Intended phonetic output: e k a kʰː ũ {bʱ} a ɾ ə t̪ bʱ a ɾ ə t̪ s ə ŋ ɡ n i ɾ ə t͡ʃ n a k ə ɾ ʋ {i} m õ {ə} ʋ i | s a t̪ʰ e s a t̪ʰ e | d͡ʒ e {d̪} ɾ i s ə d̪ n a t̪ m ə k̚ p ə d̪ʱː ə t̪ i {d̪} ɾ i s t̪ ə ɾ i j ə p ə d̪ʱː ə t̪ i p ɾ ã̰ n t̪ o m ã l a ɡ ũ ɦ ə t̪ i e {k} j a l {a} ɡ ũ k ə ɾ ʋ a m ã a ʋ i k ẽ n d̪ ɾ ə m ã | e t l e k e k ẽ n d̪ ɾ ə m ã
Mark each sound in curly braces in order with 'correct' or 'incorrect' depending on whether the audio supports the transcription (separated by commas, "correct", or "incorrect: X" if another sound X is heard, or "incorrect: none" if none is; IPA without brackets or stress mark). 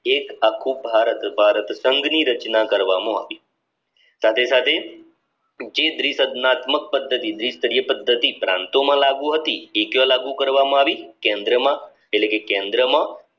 correct, incorrect: a, incorrect: a, correct, correct, correct, correct